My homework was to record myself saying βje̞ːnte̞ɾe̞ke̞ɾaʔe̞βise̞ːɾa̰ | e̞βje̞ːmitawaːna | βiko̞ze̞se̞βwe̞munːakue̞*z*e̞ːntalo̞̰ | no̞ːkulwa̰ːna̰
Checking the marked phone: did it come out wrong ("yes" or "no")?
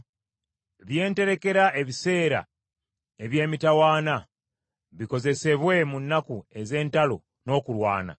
no